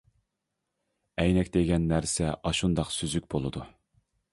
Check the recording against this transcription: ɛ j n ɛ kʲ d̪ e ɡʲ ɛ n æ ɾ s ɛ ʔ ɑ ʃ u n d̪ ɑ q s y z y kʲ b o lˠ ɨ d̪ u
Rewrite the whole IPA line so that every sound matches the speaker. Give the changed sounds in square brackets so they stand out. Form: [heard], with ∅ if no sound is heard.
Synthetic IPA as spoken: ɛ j n ɛ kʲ d̪ e ɡʲ ɛ [nː] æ ɾ s ɛ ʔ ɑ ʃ u n d̪ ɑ q s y z y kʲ b o lˠ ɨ d̪ u